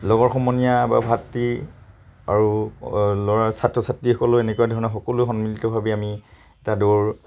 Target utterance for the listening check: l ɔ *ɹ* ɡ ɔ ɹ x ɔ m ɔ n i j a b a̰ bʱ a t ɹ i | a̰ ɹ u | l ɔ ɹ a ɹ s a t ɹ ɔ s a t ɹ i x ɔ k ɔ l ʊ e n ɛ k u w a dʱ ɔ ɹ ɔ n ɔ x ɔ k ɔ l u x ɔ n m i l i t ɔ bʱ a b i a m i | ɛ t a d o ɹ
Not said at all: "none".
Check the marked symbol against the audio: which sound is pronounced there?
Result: none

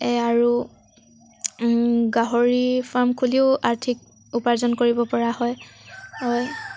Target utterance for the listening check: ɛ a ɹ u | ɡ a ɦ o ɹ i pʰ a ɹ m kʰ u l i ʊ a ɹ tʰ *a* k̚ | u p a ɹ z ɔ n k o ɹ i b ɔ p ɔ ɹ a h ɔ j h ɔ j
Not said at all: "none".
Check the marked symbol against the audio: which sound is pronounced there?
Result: i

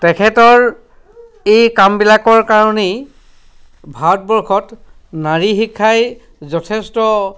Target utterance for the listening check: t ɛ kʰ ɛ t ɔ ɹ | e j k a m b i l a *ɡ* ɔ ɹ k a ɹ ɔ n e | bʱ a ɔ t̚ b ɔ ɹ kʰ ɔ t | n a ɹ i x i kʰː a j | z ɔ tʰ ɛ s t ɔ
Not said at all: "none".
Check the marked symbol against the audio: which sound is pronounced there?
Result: k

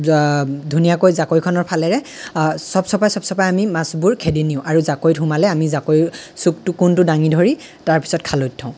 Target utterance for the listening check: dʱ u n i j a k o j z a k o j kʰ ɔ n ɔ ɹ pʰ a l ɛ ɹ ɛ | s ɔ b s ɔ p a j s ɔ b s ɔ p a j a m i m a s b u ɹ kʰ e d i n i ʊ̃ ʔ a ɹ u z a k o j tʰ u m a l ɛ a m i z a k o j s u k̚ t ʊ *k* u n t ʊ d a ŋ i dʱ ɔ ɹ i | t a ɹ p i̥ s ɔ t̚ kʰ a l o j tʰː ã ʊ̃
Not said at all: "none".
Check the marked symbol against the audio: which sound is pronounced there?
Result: k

